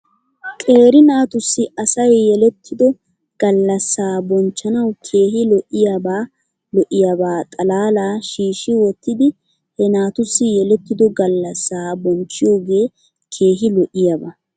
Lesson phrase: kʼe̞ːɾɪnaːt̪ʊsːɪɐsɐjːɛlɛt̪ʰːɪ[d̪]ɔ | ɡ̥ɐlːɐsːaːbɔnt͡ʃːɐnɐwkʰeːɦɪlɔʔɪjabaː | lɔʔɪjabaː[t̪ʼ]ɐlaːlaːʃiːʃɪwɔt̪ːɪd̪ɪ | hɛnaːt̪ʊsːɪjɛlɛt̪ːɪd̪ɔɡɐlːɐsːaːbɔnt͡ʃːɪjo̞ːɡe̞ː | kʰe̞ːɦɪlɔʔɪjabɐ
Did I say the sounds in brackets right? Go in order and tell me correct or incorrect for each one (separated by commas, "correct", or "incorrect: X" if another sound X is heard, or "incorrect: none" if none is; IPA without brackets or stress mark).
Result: correct, correct